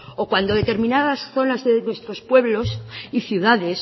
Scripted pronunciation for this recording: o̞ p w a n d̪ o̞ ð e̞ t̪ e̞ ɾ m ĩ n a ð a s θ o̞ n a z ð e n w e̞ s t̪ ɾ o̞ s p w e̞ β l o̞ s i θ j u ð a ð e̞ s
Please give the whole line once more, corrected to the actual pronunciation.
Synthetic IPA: o̞ k w a n d̪ o̞ ð e̞ t̪ e̞ ɾ m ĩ n a ð a s θ o̞ n a z ð e n w e̞ s t̪ ɾ o̞ s p w e̞ β l o̞ s i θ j u ð a ð e̞ s